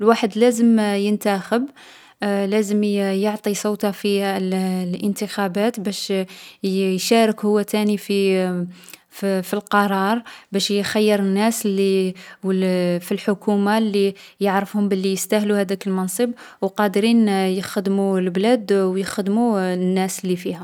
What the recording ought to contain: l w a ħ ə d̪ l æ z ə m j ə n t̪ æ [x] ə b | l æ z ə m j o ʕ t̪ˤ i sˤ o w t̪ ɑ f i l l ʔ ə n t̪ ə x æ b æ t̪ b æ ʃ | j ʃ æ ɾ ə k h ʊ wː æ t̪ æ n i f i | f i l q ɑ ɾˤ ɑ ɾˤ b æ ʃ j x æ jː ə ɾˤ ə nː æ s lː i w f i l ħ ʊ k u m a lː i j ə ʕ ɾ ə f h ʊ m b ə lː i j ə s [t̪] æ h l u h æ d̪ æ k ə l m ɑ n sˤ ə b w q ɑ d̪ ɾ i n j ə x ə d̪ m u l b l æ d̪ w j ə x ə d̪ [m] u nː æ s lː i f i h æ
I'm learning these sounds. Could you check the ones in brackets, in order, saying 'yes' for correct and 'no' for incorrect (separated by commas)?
yes, yes, yes